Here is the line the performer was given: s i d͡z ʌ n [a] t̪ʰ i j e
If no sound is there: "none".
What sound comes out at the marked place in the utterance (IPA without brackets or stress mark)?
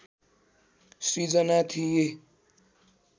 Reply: a